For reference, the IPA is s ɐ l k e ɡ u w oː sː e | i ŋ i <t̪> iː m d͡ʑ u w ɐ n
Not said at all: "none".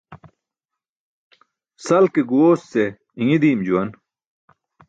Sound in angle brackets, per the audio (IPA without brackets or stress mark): d̪